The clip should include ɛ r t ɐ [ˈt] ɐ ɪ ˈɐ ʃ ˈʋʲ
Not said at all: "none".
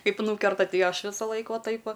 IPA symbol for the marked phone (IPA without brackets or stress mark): t